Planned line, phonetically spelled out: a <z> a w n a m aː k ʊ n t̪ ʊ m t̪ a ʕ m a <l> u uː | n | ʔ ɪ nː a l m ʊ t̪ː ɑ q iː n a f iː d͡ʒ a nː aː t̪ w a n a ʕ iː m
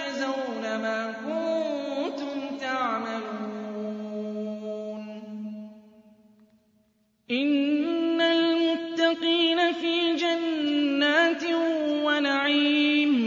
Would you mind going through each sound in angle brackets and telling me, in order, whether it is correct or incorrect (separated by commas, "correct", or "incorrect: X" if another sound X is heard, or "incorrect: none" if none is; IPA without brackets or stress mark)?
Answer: correct, correct